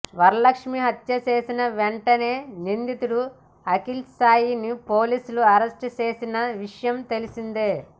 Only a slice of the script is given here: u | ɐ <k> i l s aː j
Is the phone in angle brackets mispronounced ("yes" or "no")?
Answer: no